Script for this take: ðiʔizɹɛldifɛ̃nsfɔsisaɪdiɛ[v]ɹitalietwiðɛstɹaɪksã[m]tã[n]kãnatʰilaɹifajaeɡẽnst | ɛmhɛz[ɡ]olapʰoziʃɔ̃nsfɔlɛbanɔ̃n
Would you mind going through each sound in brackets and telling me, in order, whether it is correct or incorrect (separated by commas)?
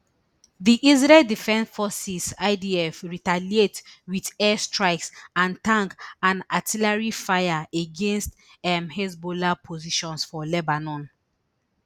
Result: incorrect, incorrect, incorrect, incorrect